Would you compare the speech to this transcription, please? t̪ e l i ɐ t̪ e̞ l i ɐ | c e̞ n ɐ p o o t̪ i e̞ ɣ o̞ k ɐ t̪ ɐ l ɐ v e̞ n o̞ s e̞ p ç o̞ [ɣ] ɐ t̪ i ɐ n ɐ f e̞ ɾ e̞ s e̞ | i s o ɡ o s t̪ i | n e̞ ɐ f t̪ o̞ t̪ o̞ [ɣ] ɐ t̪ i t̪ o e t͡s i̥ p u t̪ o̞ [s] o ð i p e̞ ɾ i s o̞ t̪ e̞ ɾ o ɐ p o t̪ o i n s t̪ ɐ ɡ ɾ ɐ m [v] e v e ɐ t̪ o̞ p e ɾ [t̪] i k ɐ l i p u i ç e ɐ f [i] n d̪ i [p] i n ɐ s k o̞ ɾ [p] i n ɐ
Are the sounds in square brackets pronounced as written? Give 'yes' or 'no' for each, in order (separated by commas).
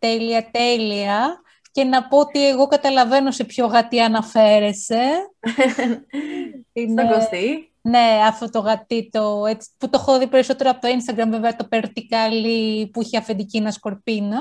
yes, yes, no, yes, yes, no, no, yes